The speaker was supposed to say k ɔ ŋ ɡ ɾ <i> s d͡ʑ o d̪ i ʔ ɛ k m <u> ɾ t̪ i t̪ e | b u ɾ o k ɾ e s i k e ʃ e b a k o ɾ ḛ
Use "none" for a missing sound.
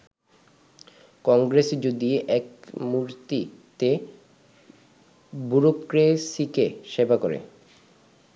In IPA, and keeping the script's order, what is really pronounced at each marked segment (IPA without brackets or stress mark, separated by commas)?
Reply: e, u